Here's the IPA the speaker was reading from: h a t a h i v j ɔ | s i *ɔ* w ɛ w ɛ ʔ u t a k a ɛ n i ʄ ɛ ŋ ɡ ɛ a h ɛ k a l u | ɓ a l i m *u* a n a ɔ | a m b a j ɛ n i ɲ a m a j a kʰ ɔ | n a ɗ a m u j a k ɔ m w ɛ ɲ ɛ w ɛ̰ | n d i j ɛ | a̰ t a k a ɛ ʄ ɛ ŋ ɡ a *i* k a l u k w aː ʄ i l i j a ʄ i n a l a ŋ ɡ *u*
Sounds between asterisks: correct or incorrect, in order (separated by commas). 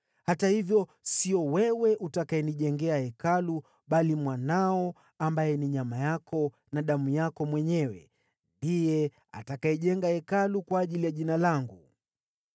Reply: correct, incorrect, incorrect, correct